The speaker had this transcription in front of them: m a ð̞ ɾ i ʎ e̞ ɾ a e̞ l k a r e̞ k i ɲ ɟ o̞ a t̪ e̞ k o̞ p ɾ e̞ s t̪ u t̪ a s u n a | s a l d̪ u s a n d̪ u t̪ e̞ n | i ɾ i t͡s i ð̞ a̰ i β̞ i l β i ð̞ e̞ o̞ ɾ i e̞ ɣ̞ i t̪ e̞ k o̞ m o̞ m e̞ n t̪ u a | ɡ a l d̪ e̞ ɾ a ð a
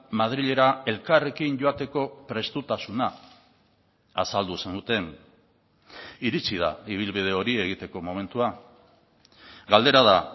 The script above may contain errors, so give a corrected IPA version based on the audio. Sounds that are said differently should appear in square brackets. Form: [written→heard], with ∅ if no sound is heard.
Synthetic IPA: m a ð̞ ɾ i ʎ e̞ ɾ a e̞ l k a r e̞ k i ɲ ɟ o̞ a t̪ e̞ k o̞ p ɾ e̞ s t̪ u t̪ a s u n a | s a l d̪ u s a n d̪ u t̪ e̞ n | i ɾ i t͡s i ð̞ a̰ i β̞ i l β i ð̞ e̞ o̞ ɾ i e̞ ɣ̞ i t̪ e̞ k o̞ m o̞ m e̞ n t̪ u a | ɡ a l d̪ e̞ ɾ a ð a